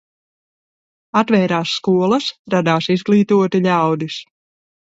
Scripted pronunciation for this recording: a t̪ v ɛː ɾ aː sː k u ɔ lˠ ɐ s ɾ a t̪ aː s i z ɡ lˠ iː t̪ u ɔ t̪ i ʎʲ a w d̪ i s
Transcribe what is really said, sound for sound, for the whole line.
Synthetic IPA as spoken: a t̪ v ɛː ɾ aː sː k u ɔ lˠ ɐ s ɾ a d̪ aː s i z ɡ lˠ iː t̪ u ɔ t̪ i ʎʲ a w d̪ i s